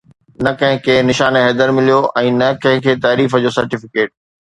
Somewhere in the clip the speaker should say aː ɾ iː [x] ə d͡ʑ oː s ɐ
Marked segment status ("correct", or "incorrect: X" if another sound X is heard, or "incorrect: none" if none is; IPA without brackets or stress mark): incorrect: f